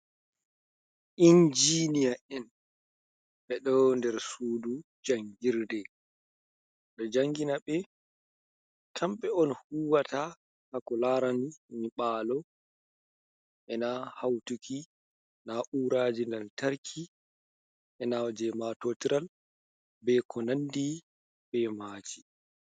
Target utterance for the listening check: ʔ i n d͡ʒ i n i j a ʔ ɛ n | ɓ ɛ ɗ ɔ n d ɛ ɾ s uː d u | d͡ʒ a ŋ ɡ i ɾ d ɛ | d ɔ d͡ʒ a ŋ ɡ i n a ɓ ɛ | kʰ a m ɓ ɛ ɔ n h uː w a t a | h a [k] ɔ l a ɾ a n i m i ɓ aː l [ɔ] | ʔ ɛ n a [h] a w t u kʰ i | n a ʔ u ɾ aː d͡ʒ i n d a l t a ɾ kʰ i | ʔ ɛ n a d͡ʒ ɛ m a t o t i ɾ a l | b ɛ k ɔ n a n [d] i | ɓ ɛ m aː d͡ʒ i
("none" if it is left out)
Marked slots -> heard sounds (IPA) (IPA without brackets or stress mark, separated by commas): k, ɔ, h, d